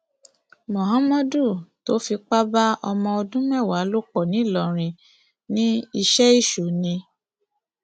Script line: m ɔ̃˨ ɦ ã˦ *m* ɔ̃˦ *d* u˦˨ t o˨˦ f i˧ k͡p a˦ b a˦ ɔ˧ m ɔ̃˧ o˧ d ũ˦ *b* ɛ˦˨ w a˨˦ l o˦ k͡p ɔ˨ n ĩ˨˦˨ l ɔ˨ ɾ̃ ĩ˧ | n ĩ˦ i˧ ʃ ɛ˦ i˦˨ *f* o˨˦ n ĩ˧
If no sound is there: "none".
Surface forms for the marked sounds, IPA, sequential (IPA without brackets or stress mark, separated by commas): m, d, m, ʃ